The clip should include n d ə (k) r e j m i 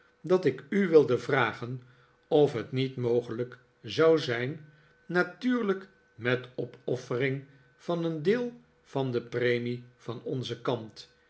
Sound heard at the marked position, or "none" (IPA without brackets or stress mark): p